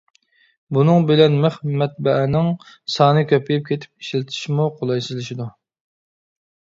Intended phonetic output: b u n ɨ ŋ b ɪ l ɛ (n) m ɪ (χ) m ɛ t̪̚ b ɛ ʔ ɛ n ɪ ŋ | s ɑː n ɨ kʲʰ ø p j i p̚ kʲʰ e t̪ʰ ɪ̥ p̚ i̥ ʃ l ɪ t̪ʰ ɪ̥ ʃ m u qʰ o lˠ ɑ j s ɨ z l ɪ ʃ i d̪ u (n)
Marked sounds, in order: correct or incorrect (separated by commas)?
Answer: correct, correct, incorrect